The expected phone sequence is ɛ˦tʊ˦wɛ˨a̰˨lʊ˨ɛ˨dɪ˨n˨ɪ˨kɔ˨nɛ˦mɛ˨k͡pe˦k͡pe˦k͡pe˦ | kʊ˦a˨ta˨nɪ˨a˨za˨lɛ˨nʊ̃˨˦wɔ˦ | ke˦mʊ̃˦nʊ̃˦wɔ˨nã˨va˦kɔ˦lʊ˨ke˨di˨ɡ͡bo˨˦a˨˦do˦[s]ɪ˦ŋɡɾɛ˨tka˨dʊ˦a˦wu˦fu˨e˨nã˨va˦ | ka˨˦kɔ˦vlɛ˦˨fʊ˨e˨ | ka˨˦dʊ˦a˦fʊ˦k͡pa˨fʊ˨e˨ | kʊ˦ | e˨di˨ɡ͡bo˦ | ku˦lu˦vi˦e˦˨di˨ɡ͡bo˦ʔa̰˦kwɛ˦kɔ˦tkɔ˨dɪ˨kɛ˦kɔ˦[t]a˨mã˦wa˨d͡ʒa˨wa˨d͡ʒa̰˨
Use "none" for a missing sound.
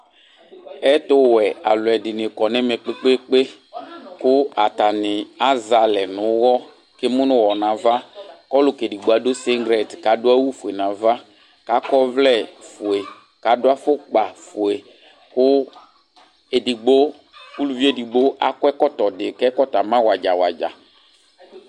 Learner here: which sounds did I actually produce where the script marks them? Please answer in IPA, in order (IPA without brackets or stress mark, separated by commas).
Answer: s, t